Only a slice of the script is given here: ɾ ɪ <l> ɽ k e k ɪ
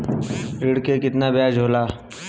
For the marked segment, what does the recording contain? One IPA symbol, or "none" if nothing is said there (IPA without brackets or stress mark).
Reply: none